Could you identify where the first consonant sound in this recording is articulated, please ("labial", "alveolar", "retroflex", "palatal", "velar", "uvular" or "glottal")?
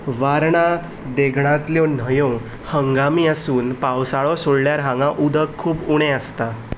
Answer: labial